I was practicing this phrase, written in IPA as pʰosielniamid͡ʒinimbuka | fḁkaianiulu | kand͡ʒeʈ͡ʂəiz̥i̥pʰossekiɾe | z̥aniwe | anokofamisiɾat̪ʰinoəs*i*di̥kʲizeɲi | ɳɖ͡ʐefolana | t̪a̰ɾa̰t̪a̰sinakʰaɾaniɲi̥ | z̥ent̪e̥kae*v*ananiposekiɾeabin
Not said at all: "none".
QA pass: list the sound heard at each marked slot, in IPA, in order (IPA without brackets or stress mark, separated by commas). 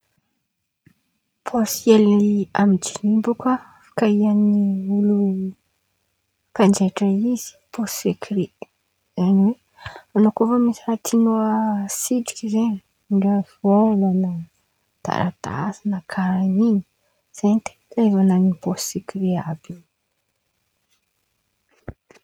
i, v